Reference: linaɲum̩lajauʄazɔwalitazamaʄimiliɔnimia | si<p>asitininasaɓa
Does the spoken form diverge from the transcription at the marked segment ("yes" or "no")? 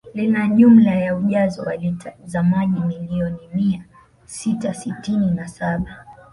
yes